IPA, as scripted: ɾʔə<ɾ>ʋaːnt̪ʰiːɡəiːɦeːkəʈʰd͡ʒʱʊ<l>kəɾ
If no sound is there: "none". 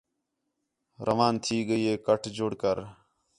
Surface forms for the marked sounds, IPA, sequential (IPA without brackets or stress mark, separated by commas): none, ɽ